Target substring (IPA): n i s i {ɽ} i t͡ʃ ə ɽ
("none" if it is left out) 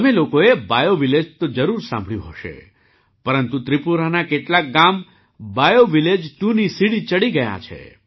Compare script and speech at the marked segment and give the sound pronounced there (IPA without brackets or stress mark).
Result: ɽ